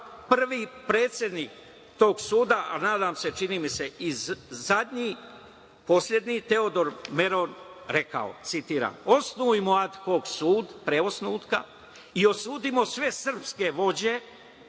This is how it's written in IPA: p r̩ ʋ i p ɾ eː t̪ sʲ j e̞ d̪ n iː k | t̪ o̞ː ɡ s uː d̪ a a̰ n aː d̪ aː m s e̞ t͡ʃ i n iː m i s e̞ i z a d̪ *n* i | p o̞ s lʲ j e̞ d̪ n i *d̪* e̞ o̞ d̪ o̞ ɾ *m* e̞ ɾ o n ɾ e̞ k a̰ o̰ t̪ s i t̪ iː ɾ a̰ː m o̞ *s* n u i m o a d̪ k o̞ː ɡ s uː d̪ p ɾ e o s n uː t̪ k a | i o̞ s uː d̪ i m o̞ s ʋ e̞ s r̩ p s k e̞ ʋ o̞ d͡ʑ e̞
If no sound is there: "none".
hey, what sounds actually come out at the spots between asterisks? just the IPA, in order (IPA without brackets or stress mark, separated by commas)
ɲ, t̪, m, s